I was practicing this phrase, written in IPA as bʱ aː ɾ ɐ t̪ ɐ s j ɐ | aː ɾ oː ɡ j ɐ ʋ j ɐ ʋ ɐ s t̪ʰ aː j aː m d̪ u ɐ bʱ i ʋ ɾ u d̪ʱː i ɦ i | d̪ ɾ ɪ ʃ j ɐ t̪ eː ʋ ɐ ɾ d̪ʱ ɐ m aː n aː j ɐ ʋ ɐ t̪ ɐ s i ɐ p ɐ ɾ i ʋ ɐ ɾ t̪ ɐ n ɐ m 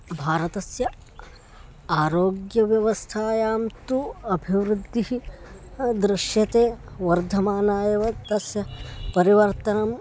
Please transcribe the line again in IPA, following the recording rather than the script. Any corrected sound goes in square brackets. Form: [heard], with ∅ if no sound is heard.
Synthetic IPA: bʱ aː ɾ ɐ t̪ ɐ s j ɐ | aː ɾ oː ɡ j ɐ ʋ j ɐ ʋ ɐ s t̪ʰ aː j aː m [t̪] u ɐ bʱ i ʋ ɾ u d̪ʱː i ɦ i | d̪ ɾ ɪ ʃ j ɐ t̪ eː ʋ ɐ ɾ d̪ʱ ɐ m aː n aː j ɐ ʋ ɐ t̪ ɐ s [j] ɐ p ɐ ɾ i ʋ ɐ ɾ t̪ ɐ n ɐ m